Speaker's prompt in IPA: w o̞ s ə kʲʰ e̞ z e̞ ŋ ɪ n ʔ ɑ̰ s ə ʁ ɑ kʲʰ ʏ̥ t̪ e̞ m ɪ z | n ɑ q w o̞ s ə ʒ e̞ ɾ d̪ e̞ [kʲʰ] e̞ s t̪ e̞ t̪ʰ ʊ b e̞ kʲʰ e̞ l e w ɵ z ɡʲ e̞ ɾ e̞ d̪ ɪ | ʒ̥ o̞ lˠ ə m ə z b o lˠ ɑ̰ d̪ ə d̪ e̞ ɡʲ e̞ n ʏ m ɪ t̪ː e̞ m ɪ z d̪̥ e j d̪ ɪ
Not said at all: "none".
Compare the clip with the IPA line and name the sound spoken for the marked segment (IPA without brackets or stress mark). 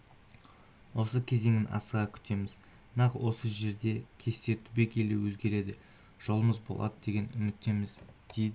kʲʰ